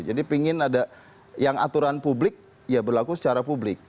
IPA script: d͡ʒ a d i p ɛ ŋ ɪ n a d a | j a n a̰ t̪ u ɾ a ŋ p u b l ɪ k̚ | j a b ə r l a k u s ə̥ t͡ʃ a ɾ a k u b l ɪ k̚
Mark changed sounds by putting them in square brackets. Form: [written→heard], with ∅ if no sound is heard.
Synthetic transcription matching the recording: d͡ʒ a d i p [ɛ→i] ŋ ɪ n a d a | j a [n→ŋ] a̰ t̪ u ɾ a [ŋ→n] p u b l ɪ k̚ | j a b ə r l a k u s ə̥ t͡ʃ a ɾ a [k→p] u b l ɪ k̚

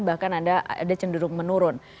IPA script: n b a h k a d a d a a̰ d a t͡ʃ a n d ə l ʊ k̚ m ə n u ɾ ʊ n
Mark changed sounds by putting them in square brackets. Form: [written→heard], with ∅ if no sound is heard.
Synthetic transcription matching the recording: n b a h k a [d→n] a d a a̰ d a t͡ʃ [a→ə] n d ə [l→ɾ] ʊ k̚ m ə n u ɾ ʊ n

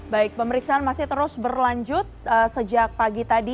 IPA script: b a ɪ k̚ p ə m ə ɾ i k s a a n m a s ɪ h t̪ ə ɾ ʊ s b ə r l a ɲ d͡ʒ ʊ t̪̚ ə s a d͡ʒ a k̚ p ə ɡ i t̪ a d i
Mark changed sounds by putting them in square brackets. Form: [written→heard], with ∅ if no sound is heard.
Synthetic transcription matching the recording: b a ɪ k̚ p ə m ə ɾ i k s a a n m a s ɪ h t̪ ə ɾ ʊ s b ə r l a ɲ d͡ʒ ʊ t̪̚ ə s [a→ə] d͡ʒ a k̚ p [ə→a] ɡ i t̪ a d i

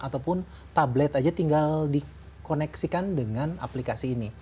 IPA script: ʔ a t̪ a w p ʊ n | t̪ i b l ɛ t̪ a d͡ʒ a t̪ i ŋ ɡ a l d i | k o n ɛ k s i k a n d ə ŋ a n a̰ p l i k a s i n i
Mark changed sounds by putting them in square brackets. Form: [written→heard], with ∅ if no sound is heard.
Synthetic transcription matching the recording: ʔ a t̪ a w p ʊ n | t̪ [i→a] b l ɛ t̪ a d͡ʒ a t̪ i ŋ ɡ a l d i | k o n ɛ k s i k a n d ə ŋ a n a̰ p l i k a s [i→iː] n i

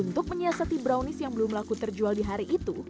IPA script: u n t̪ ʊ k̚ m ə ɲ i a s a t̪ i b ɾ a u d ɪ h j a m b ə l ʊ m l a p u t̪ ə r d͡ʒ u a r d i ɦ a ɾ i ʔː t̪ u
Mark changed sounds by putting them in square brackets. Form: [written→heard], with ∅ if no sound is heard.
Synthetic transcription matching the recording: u n t̪ ʊ k̚ m ə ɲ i a s a t̪ i b ɾ a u [d→n] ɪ [h→s] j a [m→ŋ] b ə l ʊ m l a [p→k] u t̪ ə r d͡ʒ u a [r→l] d i ɦ a ɾ i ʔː t̪ u

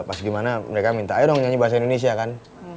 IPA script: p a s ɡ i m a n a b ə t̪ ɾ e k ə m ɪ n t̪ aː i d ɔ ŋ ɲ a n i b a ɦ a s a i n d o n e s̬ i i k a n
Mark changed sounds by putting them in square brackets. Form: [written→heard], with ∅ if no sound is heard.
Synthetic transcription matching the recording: p a s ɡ i m a n a [b→m] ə [t̪→∅] ɾ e k [ə→a] m [ɪ→i] n t̪ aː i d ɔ ŋ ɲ a [n→ɲ] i b a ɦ a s a i n d o n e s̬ i [i→a] k a n

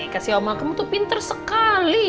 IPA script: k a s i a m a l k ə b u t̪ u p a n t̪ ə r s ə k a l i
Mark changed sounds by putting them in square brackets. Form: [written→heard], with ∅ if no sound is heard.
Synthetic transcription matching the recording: k a s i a m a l k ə [b→m] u t̪ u p [a→i] n t̪ ə r s ə k a l i

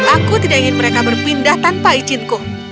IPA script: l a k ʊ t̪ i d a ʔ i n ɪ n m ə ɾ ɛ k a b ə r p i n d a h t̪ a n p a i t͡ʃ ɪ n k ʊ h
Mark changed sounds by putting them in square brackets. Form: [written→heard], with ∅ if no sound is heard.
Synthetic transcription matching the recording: l a k [ʊ→u] t̪ i d a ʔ i [n→ŋ] ɪ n m ə ɾ [ɛ→e] k a b ə r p i n d a h t̪ a n p a i t͡ʃ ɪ n k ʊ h

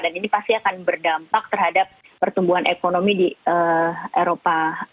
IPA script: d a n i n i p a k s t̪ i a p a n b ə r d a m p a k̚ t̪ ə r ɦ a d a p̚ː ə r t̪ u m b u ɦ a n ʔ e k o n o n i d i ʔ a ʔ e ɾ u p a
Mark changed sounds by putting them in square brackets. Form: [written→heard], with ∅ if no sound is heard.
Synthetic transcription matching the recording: d a n i n i p a [k→∅] s t̪ i a [p→k] a n b ə r d a m p a k̚ t̪ ə r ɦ a d a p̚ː ə r t̪ u m b u ɦ a n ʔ e k o n o [n→m] i d i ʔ [a→ə] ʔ e ɾ [u→o] p a

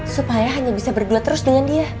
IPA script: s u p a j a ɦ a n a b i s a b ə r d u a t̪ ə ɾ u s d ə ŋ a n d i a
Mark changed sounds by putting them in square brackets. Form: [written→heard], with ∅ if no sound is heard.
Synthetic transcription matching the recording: s u p a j a ɦ a [n→ɲ] a b i s a b ə r d u a t̪ ə ɾ [u→ʊ] s d ə ŋ a n d i a

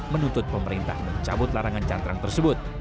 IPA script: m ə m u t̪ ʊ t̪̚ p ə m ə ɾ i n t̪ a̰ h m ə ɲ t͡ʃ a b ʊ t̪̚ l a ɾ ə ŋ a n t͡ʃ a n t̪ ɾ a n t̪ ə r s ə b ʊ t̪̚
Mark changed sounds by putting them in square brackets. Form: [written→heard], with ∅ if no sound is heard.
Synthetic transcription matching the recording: m ə [m→n] u t̪ ʊ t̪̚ p ə m ə ɾ i n t̪ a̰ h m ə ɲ t͡ʃ a b ʊ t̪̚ l a ɾ [ə→a] ŋ a n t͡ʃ a n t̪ ɾ a [n→ŋ] t̪ ə r s ə b ʊ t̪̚

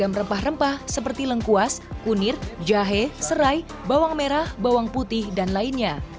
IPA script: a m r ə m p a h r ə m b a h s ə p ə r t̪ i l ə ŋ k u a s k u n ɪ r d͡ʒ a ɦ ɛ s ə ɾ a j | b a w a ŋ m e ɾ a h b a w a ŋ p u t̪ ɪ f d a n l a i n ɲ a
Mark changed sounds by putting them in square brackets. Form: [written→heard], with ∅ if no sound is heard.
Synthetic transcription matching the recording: a m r ə m p a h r ə m [b→p] a h s ə p ə r t̪ i l ə ŋ k u a s k u n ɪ r d͡ʒ a ɦ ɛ s ə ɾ a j | b a w a ŋ m e ɾ a h b a w a ŋ p u t̪ ɪ [f→h] d a n l a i n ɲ a

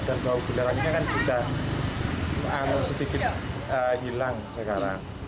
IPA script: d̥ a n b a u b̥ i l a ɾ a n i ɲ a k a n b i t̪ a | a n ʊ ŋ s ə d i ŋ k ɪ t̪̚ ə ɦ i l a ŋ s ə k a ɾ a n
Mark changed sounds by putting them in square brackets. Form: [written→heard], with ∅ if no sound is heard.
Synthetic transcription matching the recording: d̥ a n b a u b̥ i l a ɾ a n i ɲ a k a n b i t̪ a | a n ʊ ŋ s ə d i [ŋ→∅] k ɪ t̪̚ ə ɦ i l a ŋ s ə k a ɾ a [n→ŋ]

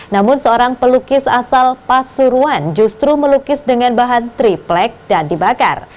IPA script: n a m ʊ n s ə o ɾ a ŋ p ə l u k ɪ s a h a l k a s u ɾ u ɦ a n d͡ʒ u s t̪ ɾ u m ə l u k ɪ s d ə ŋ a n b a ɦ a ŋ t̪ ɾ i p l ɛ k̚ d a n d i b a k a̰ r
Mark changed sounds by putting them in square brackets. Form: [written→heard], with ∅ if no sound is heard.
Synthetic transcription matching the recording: n a m ʊ n s ə o ɾ a ŋ p ə l u k ɪ s a [h→s] a l [k→p] a s u ɾ u [ɦ→∅] a n d͡ʒ u s t̪ ɾ u m ə l u k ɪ s d ə ŋ a n b a ɦ a [ŋ→n] t̪ ɾ i p l ɛ k̚ d a n d i b a k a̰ r

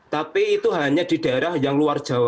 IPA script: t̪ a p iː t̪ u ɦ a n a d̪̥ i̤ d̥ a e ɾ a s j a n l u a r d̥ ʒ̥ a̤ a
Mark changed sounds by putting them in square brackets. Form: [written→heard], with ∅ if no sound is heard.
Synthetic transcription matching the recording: t̪ a p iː t̪ u ɦ a [n→ɲ] a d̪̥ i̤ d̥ a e ɾ a [s→h] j a [n→ŋ] l u a r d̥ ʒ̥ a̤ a

